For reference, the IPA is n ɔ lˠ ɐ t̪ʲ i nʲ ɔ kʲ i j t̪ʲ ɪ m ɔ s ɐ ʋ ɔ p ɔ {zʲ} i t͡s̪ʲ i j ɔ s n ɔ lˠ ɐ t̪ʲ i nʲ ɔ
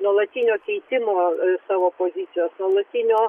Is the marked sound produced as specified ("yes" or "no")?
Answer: yes